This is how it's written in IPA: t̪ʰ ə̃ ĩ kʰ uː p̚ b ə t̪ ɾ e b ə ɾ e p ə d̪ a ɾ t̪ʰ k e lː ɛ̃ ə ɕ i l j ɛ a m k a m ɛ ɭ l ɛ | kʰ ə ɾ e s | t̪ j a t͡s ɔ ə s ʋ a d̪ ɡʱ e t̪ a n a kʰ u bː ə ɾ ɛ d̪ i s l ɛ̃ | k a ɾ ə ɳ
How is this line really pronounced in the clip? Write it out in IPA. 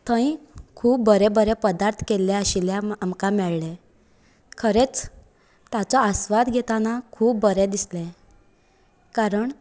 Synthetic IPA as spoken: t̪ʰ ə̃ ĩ kʰ uː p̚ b ə ɾ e b ə ɾ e p ə d̪ a ɾ t̪ʰ k e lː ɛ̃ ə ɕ i l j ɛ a m k a m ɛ ɭ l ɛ | kʰ ə ɾ e t͡s | t̪ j a t͡s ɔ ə s ʋ a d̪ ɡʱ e t̪ a n a kʰ uː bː ə ɾ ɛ d̪ i s l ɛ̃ | k a ɾ ə ɳ